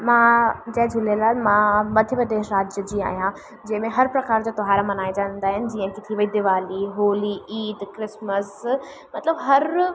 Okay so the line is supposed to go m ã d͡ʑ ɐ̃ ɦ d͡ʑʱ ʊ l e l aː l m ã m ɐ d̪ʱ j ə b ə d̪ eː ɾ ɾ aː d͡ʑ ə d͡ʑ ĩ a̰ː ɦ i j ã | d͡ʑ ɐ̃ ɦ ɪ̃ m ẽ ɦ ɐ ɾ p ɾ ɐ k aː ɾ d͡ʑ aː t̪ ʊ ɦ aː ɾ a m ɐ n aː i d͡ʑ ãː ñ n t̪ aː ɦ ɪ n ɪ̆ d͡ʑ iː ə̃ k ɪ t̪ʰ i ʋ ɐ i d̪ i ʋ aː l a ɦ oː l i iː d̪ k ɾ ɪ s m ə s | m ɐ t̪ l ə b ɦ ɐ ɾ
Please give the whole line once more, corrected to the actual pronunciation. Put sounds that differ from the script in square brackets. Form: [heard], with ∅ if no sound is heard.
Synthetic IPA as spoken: m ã d͡ʑ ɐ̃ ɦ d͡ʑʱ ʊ l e l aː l m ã m ɐ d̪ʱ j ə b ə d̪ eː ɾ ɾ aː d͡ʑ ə d͡ʑ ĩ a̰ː ɦ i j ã | d͡ʑ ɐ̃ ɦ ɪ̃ m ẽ ɦ ɐ ɾ p ɾ ɐ k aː ɾ d͡ʑ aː t̪ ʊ ɦ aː ɾ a m ɐ n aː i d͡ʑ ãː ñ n [d̪] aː ɦ ɪ n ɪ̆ d͡ʑ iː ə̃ k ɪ t̪ʰ i ʋ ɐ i d̪ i ʋ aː l [i] ɦ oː l i iː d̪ k ɾ ɪ s m ə s | m ɐ t̪ l ə b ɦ ɐ ɾ